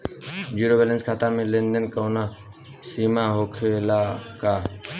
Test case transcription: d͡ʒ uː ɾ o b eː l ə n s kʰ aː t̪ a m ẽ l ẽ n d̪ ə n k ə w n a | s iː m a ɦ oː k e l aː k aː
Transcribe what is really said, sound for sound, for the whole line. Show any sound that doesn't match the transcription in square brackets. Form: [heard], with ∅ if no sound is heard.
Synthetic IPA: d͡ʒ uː ɾ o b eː l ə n s kʰ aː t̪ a m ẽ l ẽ n d̪ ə n k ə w n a | s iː m a ɦ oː [kʰ] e l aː k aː